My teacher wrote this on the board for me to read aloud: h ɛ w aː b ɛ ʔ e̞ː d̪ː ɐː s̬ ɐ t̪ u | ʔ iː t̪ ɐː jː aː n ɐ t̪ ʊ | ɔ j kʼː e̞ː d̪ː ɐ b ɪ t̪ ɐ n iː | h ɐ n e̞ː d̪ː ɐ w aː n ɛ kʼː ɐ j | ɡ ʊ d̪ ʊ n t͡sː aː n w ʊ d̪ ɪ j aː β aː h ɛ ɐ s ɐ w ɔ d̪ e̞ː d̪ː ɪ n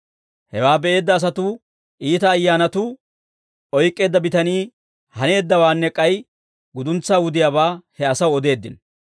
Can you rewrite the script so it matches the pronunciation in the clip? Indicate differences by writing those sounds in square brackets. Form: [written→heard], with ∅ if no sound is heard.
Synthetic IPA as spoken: h ɛ w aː b ɛ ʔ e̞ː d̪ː ɐː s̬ ɐ t̪ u | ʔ iː t̪ ɐː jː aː n ɐ t̪ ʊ | ɔ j kʼː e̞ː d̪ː ɐ b ɪ t̪ ɐ n iː | h ɐ n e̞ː d̪ː ɐ w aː [n→nː] ɛ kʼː ɐ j | ɡ ʊ d̪ ʊ n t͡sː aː [n→∅] w ʊ d̪ ɪ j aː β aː h ɛ ɐ s ɐ w ɔ d̪ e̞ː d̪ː ɪ n